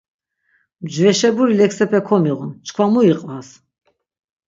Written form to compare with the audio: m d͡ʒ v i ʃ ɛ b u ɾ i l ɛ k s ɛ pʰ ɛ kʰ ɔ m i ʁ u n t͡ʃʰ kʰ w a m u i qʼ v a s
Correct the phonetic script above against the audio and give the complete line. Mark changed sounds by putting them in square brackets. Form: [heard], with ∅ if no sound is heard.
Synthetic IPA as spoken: m d͡ʒ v [ɛ] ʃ ɛ b u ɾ i l ɛ k s ɛ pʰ ɛ kʰ ɔ m i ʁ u n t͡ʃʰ kʰ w a m u i qʼ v a s